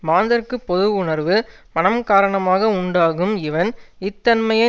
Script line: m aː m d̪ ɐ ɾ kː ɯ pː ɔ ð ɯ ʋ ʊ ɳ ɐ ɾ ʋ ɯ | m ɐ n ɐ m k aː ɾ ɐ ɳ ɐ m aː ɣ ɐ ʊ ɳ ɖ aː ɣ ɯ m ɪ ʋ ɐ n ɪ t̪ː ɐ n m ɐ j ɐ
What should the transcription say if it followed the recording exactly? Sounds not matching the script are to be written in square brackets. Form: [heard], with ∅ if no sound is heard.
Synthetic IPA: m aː [n] d̪ ɐ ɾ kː ɯ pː ɔ ð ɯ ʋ ʊ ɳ ɐ ɾ ʋ ɯ | m ɐ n ɐ m k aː ɾ ɐ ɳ ɐ m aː ɣ ɐ ʊ ɳ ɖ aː ɣ ɯ m ɪ ʋ ɐ n ɪ t̪ː ɐ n m ɐ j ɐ